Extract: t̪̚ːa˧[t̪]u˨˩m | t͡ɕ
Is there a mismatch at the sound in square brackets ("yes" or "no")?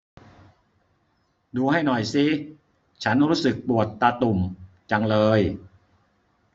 no